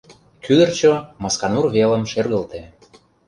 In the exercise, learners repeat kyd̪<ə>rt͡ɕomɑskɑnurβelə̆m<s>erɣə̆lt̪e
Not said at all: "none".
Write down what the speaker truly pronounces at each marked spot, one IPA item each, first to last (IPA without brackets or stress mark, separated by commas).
ə, ʃ